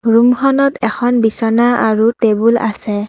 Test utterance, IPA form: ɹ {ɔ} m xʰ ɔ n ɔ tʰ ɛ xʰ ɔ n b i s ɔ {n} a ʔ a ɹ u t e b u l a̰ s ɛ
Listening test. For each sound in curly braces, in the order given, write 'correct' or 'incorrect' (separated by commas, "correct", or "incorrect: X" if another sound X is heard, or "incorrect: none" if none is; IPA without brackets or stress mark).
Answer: incorrect: u, correct